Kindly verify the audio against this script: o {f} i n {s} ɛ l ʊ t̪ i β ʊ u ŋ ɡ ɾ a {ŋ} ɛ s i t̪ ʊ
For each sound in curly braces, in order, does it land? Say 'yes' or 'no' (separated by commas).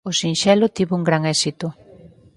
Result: no, no, yes